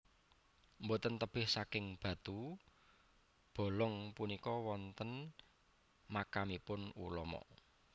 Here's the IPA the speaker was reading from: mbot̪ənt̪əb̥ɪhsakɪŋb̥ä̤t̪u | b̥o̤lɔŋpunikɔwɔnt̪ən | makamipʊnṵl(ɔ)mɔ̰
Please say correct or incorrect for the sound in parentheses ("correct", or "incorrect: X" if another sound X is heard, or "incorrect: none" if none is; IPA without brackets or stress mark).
correct